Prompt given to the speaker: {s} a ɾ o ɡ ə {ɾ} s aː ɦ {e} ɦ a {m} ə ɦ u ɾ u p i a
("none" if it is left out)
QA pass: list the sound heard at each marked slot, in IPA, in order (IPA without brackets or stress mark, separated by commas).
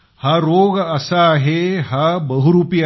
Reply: h, none, e, b